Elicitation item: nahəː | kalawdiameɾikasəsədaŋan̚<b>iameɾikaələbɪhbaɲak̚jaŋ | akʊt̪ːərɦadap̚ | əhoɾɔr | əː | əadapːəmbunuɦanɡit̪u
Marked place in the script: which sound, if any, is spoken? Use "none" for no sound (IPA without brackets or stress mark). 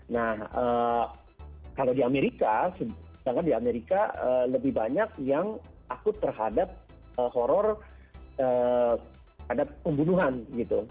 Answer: d